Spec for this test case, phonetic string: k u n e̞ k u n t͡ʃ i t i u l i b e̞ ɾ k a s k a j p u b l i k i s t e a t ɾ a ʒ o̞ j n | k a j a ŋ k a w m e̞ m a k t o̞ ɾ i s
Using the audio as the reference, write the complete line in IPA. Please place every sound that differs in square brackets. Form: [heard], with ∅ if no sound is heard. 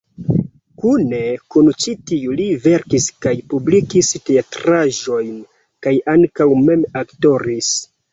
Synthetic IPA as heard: k u n e̞ k u n t͡ʃ i t i u l i [v] e̞ ɾ k [i] s k a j p u b l i k i s t e a t ɾ a ʒ o̞ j n | k a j a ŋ k a w m e̞ m a k t o̞ ɾ i s